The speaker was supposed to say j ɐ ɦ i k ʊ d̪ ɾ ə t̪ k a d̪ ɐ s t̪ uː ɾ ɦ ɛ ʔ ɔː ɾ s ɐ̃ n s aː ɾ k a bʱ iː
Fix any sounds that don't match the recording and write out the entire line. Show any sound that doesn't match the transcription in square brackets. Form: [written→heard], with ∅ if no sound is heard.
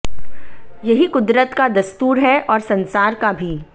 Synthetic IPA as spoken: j ɐ ɦ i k ʊ d̪ ɾ ə t̪ k a d̪ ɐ s t̪ uː ɾ ɦ ɛ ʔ ɔː ɾ s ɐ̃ n s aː ɾ k a bʱ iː

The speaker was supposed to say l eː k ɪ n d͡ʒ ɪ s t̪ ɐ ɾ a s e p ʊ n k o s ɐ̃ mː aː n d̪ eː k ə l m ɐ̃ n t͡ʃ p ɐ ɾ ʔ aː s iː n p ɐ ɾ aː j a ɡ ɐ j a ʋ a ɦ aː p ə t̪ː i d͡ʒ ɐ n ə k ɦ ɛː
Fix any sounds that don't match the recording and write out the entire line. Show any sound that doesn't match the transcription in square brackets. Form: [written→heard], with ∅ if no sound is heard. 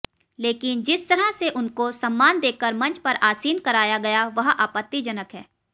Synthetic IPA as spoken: l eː k ɪ n d͡ʒ ɪ s t̪ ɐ ɾ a s e [p→ʔ] ʊ n k o s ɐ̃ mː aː n d̪ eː k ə [l→ɾ] m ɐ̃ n t͡ʃ p ɐ ɾ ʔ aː s iː n [p→k] ɐ ɾ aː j a ɡ ɐ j a ʋ [a→ɐ] ɦ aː p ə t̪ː i d͡ʒ ɐ n ə k ɦ ɛː

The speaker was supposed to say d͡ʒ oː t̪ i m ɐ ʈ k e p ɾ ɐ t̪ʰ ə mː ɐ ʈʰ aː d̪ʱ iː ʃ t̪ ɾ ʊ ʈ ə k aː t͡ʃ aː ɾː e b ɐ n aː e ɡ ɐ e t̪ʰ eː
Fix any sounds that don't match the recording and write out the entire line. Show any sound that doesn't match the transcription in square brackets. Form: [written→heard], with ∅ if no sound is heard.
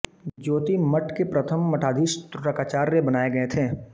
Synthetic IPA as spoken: d͡ʒ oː t̪ i m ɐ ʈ k e p ɾ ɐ t̪ʰ ə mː ɐ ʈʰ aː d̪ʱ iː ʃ t̪ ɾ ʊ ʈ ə k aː t͡ʃ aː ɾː e b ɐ n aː e ɡ ɐ e t̪ʰ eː

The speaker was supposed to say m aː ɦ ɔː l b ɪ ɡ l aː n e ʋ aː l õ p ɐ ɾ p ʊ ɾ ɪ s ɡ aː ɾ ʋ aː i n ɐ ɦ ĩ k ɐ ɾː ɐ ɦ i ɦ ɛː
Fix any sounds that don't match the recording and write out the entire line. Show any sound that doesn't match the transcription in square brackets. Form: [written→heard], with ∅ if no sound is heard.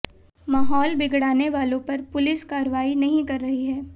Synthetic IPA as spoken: m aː ɦ ɔː l b ɪ ɡ [l→ɽ] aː n e ʋ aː l õ p ɐ ɾ p ʊ [ɾ→l] ɪ s [ɡ→k] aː ɾ ʋ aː i n ɐ ɦ ĩ k ɐ ɾː ɐ ɦ i ɦ ɛː

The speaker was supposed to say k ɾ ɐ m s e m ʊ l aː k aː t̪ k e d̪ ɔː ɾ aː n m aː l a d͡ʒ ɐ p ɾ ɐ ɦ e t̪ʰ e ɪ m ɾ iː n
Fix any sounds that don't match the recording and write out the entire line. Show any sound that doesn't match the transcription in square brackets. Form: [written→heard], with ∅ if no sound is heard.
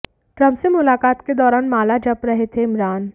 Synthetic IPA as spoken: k ɾ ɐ m s e m ʊ l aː k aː t̪ k e d̪ ɔː ɾ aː n m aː l a d͡ʒ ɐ p ɾ ɐ ɦ e t̪ʰ e ɪ m ɾ [iː→aː] n

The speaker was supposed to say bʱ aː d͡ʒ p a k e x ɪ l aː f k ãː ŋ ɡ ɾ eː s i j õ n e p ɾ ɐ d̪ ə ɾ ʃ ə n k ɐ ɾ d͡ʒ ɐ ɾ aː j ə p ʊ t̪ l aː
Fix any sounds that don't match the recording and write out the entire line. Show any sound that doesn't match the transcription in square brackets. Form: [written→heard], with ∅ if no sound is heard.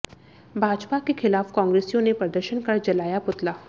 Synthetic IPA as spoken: bʱ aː d͡ʒ p a k e x ɪ l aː f k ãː ŋ ɡ ɾ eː s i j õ n e p ɾ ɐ d̪ ə ɾ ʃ ə n k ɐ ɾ d͡ʒ ɐ [ɾ→l] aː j [ə→a] p ʊ t̪ l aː

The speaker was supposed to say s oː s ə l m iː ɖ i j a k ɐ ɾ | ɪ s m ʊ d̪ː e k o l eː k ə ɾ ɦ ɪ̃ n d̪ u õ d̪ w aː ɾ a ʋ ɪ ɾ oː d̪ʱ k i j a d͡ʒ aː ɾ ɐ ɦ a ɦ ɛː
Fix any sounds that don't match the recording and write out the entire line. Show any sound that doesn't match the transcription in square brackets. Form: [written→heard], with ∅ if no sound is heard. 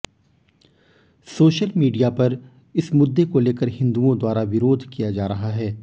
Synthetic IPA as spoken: s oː [s→ʃ] ə l m iː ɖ i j a [k→p] ɐ ɾ | ɪ s m ʊ d̪ː e k o l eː k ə ɾ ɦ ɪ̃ n d̪ u õ d̪ w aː ɾ a ʋ ɪ ɾ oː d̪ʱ k i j a d͡ʒ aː ɾ ɐ ɦ a ɦ ɛː

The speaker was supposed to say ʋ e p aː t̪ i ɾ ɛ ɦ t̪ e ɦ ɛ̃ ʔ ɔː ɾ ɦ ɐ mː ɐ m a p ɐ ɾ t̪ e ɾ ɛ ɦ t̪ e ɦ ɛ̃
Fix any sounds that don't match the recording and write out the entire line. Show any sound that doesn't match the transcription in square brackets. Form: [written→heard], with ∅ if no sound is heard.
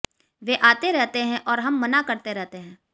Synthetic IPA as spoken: ʋ e [p→ʔ] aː t̪ [i→e] ɾ ɛ ɦ t̪ e ɦ ɛ̃ ʔ ɔː ɾ ɦ ɐ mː ɐ [m→n] a [p→k] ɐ ɾ t̪ e ɾ ɛ ɦ t̪ e ɦ [ɛ̃→ɛ̃ː]

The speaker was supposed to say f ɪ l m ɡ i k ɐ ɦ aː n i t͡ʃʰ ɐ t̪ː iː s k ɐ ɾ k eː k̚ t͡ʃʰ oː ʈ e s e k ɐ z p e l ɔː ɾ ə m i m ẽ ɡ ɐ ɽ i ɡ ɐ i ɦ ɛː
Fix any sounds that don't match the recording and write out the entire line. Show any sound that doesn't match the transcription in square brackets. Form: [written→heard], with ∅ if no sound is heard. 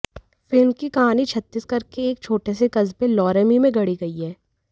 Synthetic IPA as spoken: f ɪ l m [ɡ→k] i k ɐ ɦ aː n i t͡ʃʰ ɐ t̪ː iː s k ɐ ɾ k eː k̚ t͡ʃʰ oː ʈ e s e k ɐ z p e l ɔː ɾ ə m i m ẽ ɡ ɐ ɽ i ɡ ɐ i ɦ ɛː

